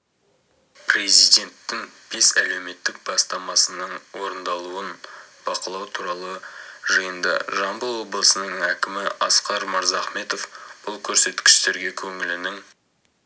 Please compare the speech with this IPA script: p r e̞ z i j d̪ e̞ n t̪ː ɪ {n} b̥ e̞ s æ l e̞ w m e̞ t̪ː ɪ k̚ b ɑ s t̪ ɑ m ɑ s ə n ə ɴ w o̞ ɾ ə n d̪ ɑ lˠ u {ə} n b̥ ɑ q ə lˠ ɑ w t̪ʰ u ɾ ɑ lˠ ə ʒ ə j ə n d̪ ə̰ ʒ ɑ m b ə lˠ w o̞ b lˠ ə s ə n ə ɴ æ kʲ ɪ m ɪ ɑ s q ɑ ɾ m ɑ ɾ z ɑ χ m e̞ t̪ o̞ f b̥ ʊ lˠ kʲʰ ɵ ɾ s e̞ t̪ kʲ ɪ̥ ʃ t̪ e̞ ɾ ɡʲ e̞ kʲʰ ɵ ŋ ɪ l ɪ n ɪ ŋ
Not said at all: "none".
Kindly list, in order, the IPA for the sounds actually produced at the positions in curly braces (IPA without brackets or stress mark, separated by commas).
ŋ, ə